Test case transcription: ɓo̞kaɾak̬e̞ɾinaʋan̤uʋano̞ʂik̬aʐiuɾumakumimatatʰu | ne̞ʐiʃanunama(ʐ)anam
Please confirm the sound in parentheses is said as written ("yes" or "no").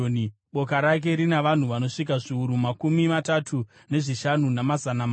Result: no